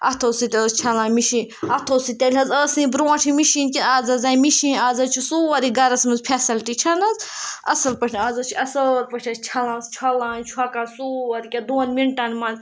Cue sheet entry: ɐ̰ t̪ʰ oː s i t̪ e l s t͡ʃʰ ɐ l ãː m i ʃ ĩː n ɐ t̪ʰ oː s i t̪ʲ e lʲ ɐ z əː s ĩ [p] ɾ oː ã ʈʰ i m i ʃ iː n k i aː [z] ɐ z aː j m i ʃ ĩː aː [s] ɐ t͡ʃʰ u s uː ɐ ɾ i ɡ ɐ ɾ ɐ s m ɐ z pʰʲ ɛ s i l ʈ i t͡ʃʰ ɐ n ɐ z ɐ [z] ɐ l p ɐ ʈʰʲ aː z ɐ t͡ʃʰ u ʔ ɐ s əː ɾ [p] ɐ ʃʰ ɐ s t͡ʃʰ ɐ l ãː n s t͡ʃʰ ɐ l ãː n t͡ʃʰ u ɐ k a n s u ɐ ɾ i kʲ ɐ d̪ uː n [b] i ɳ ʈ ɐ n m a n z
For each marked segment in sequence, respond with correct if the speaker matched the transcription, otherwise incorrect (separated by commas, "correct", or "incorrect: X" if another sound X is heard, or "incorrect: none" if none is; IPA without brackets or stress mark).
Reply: incorrect: b, correct, incorrect: z, incorrect: s, correct, incorrect: m